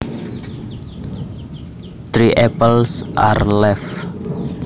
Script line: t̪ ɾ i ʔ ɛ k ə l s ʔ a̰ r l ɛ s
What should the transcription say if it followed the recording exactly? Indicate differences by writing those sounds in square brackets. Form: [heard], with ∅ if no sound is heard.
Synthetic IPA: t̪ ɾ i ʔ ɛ [p] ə l s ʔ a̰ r l ɛ [f]